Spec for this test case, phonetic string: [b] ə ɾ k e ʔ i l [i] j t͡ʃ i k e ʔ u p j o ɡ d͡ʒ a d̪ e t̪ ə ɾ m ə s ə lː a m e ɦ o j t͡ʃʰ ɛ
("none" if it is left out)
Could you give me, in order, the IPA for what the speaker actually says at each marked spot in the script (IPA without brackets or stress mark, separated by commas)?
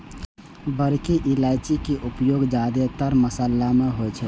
b, a